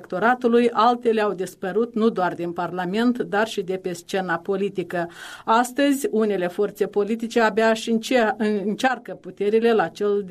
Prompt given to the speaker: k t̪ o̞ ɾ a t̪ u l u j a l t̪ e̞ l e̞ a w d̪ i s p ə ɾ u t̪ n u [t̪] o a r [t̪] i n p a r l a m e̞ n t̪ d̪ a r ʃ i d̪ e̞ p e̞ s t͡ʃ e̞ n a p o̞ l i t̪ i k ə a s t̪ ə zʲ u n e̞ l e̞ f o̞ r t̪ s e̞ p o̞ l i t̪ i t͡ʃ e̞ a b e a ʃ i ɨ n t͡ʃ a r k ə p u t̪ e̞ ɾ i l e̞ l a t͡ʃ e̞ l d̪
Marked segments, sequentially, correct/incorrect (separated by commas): incorrect, incorrect